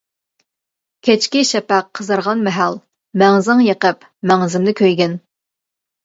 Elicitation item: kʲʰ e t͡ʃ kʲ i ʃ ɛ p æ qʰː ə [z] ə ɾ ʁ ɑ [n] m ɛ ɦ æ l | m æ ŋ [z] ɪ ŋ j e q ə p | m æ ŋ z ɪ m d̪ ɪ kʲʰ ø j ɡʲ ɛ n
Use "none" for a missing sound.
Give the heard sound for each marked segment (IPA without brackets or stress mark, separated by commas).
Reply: z, n, z